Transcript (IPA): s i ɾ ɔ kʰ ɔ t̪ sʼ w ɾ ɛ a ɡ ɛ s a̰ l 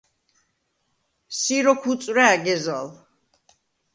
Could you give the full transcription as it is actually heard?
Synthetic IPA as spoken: s i ɾ ɔ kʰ u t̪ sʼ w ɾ ɛ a ɡ ɛ z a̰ l